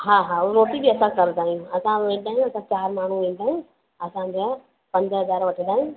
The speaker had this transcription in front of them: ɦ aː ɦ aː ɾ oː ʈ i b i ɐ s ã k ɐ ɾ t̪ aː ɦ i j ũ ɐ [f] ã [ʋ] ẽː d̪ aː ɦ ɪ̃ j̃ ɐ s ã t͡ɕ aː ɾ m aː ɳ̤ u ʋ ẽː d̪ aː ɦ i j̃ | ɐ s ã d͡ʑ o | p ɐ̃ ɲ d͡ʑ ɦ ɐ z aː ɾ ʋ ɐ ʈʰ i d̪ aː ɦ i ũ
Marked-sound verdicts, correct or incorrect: incorrect: s, correct

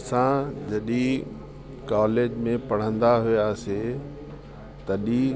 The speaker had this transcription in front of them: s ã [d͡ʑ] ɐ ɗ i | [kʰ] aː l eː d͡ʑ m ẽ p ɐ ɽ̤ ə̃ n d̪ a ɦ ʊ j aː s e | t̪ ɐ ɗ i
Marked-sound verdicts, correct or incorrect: correct, incorrect: k

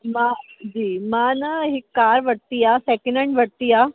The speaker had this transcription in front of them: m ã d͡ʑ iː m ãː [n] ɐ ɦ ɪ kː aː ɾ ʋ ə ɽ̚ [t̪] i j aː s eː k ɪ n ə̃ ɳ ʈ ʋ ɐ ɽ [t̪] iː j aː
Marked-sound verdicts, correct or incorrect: correct, correct, correct

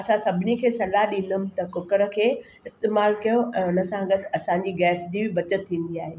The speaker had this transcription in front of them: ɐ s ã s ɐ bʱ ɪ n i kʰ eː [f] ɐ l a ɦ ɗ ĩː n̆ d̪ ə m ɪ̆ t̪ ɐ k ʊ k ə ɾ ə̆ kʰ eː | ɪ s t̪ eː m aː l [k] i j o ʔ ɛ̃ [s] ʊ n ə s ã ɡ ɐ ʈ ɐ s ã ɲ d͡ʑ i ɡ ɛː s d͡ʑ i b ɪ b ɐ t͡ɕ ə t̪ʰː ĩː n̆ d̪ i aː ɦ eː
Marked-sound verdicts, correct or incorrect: incorrect: s, correct, incorrect: none

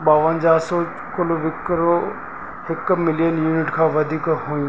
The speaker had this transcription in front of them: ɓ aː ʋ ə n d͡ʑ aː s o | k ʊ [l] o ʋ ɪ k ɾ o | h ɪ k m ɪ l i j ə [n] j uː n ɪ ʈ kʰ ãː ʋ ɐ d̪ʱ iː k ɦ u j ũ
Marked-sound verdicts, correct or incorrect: correct, correct

